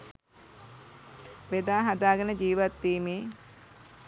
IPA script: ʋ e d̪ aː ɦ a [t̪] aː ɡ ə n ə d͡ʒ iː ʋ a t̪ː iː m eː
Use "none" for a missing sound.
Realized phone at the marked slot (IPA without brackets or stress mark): d̪